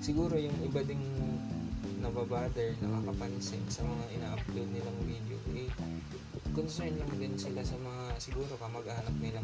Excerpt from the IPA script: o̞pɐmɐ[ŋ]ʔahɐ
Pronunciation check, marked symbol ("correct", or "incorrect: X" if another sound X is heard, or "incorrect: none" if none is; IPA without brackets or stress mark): incorrect: ɡ